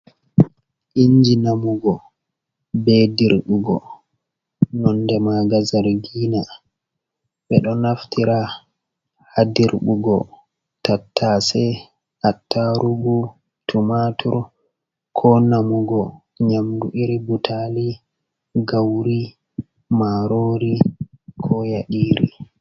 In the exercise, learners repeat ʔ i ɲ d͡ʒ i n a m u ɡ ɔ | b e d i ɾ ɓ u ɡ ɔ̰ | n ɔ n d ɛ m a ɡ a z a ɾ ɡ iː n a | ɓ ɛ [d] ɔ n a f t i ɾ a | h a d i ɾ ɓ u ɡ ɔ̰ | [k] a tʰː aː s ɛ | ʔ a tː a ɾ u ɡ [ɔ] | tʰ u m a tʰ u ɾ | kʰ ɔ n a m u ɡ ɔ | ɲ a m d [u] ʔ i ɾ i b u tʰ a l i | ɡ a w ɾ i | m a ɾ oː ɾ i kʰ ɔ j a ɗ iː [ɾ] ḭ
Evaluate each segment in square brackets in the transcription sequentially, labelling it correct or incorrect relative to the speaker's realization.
incorrect, incorrect, incorrect, correct, correct

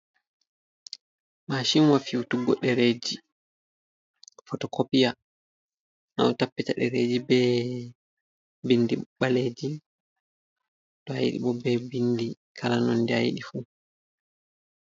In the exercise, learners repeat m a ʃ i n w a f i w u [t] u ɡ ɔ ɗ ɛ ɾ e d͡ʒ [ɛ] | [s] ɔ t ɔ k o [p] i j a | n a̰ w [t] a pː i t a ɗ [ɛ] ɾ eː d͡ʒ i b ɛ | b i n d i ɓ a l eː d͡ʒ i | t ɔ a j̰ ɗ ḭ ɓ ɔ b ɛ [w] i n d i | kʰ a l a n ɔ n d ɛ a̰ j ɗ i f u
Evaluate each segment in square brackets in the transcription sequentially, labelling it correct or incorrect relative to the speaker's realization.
correct, incorrect, incorrect, correct, correct, correct, incorrect

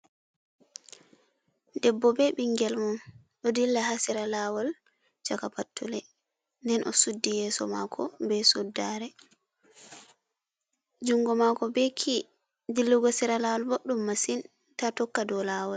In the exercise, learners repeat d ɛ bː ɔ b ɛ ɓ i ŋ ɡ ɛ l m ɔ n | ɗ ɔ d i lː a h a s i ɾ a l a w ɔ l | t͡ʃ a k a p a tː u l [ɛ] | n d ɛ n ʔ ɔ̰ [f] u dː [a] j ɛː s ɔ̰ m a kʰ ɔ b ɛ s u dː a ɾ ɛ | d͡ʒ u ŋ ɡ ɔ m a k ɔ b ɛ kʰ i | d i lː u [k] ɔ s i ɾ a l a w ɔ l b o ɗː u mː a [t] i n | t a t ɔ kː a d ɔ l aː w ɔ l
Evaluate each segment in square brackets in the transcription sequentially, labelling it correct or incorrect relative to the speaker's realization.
correct, incorrect, incorrect, incorrect, incorrect

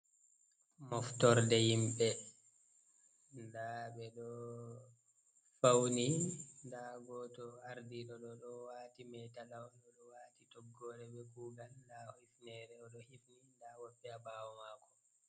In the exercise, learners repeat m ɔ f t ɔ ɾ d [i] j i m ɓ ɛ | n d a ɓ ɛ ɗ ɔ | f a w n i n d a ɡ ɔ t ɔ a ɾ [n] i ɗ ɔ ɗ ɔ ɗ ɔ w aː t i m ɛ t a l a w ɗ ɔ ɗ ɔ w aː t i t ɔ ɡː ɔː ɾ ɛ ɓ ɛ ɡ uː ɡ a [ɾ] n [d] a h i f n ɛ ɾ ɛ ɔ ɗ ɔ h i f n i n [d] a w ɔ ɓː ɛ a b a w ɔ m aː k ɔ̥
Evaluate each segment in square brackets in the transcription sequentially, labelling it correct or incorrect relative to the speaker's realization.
incorrect, incorrect, incorrect, correct, correct

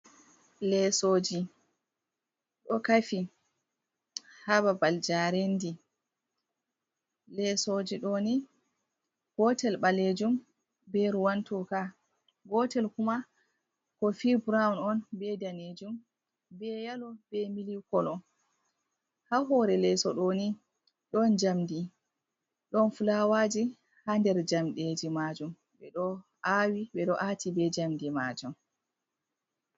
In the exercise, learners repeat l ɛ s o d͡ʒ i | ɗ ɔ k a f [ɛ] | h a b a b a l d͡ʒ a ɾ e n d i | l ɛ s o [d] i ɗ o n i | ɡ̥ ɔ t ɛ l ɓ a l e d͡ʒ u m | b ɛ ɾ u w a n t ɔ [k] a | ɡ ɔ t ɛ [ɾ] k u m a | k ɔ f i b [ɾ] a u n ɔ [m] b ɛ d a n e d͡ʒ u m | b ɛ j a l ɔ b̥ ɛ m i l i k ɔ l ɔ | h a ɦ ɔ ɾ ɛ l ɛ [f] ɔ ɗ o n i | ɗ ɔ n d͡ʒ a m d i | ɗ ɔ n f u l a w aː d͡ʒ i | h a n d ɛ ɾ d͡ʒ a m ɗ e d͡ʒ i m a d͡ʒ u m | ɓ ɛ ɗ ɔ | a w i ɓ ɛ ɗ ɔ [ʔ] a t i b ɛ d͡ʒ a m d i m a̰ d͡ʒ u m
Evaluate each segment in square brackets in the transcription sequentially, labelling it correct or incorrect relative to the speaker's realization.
incorrect, incorrect, correct, incorrect, correct, incorrect, incorrect, correct

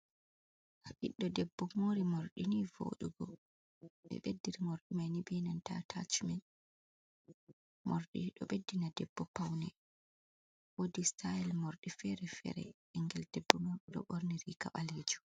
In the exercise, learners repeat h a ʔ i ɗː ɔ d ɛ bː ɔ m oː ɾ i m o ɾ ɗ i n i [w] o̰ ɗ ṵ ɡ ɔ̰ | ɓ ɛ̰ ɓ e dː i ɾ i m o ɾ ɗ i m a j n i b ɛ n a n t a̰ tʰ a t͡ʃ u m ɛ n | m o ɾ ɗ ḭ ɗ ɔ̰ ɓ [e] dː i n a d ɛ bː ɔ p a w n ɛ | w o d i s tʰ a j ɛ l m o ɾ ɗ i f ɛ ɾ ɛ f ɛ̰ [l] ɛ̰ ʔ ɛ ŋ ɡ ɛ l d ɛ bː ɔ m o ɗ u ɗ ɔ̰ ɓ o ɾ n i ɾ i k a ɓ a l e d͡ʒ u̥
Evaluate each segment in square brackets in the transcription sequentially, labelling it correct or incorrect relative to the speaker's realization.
incorrect, correct, incorrect

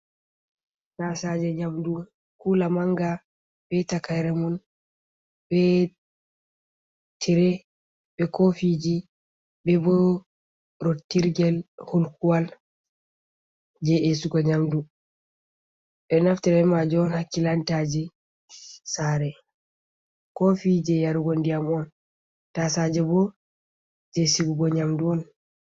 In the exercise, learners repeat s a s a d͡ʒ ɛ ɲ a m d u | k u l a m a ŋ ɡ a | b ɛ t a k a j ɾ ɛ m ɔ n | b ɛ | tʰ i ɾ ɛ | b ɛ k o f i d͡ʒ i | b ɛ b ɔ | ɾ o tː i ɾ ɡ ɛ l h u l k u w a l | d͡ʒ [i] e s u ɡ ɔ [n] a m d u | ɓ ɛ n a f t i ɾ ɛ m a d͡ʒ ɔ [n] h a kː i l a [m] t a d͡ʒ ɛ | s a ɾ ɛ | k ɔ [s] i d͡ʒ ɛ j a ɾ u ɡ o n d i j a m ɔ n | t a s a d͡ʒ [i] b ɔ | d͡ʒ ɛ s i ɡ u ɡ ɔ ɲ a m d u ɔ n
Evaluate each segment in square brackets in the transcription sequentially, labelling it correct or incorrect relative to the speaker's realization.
incorrect, incorrect, correct, incorrect, incorrect, incorrect

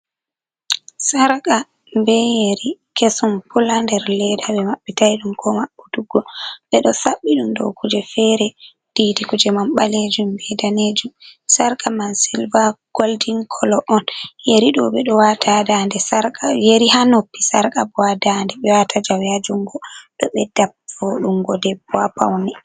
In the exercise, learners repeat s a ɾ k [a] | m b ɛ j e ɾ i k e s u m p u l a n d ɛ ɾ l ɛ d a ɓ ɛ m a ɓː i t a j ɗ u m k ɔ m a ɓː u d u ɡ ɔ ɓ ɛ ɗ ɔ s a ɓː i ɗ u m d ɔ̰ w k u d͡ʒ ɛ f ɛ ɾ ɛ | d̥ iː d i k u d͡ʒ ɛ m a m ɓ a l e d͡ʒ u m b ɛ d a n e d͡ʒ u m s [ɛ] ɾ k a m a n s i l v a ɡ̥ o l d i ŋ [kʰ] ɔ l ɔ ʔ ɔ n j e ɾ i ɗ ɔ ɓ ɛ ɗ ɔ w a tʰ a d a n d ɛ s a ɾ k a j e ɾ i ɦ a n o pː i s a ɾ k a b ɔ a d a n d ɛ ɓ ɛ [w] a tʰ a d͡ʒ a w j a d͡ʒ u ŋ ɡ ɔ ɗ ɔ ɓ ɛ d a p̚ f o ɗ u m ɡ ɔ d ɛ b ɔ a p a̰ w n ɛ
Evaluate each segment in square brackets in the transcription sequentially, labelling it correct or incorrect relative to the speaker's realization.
correct, incorrect, correct, correct

